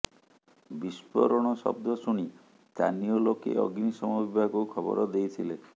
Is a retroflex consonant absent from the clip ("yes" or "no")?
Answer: no